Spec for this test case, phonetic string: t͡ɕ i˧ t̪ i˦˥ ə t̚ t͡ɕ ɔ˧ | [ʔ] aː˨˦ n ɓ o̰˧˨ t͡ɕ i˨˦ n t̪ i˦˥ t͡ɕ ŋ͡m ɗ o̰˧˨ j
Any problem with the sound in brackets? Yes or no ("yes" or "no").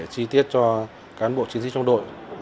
yes